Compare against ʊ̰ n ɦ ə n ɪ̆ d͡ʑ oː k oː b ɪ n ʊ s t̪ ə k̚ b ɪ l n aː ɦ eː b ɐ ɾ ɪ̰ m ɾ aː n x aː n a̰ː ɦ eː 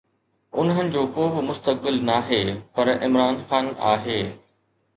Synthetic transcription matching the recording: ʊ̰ n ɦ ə n ɪ̆ d͡ʑ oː k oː b ɪ m ʊ s t̪ ə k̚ b ɪ l n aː ɦ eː p ɐ ɾ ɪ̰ m ɾ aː n x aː n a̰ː ɦ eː